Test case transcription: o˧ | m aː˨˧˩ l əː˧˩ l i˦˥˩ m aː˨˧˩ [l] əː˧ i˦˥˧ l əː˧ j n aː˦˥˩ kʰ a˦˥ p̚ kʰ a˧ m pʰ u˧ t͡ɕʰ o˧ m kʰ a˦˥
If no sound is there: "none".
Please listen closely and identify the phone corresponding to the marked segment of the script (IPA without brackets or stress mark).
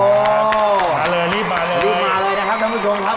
l